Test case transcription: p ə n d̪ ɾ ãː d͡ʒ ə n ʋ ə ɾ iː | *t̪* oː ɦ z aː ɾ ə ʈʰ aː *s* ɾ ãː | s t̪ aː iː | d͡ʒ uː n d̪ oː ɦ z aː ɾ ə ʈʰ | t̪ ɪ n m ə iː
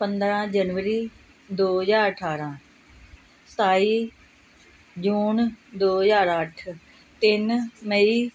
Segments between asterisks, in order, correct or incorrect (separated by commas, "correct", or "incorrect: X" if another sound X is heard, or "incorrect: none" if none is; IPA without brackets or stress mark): incorrect: d̪, incorrect: none